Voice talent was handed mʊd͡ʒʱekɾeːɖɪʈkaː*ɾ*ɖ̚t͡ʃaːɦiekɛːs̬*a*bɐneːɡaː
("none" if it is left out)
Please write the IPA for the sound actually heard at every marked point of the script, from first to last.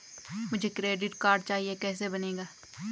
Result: ɾ, e

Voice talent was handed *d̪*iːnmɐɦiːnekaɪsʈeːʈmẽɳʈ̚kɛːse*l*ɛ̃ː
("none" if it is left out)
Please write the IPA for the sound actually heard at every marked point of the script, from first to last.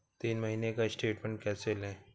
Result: t̪, l

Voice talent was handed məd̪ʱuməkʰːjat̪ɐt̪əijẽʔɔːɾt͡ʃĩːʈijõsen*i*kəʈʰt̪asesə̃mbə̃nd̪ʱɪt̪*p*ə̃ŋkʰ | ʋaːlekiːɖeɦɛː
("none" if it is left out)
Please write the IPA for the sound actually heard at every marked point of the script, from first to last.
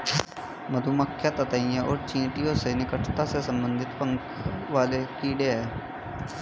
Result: ɪ, p

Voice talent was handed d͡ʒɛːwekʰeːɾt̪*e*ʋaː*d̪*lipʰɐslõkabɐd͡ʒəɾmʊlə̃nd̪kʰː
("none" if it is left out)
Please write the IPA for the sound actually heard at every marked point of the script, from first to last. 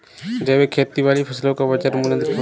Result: i, none

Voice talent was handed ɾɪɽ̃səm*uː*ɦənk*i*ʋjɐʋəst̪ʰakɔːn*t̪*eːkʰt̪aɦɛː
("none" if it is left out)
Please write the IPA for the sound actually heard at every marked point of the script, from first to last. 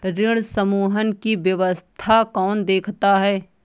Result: uː, i, d̪

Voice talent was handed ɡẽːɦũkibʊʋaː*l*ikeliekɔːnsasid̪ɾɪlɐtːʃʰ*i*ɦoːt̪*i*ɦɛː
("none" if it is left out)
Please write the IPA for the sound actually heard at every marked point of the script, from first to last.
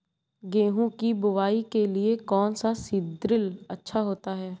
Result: none, a, a

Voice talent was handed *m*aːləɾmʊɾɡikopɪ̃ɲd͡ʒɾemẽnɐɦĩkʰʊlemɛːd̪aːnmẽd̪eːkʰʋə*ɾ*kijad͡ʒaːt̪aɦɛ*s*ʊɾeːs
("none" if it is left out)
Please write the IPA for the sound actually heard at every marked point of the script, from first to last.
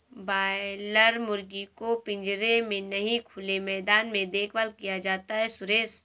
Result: b, l, s

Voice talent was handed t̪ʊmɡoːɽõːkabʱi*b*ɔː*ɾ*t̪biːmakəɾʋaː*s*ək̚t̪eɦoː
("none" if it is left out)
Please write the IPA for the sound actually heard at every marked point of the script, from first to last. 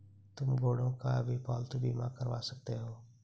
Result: p, l, s

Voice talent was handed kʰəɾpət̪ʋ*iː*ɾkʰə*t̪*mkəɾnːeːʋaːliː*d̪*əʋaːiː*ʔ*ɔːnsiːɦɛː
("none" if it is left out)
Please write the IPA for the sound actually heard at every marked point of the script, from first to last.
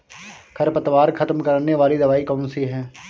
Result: aː, t̪, d̪, k

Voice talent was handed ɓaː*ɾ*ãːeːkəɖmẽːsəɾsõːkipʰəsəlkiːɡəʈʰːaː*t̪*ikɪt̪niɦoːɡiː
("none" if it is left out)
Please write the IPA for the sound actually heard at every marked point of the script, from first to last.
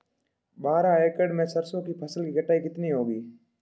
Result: ɾ, none

